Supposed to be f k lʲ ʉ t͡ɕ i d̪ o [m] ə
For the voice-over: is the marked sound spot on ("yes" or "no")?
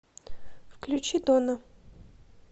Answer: no